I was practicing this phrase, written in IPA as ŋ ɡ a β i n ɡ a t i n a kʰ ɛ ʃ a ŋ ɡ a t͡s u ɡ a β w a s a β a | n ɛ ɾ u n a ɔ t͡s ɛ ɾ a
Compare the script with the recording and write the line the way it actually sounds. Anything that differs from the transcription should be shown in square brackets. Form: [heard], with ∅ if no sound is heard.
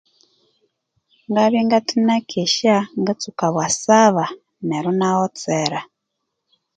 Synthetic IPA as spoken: ŋ ɡ a β i [ŋ] ɡ a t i n a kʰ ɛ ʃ a ŋ ɡ a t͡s u [k] a β w a s a β a | n ɛ ɾ u n a ɔ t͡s ɛ ɾ a